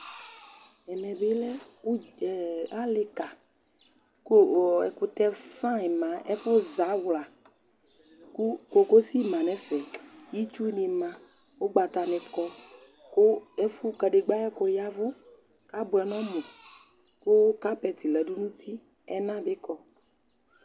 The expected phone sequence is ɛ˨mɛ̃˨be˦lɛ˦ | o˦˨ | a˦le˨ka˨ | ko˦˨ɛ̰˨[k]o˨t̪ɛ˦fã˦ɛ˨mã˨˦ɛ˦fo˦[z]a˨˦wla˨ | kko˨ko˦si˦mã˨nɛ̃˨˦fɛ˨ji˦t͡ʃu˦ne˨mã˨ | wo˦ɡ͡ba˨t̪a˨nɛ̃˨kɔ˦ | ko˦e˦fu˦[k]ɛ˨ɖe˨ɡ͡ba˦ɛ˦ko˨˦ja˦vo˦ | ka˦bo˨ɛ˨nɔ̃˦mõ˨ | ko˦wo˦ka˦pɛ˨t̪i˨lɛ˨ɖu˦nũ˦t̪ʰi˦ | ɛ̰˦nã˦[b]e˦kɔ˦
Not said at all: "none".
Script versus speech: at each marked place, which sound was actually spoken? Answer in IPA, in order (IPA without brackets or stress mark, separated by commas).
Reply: k, z, k, b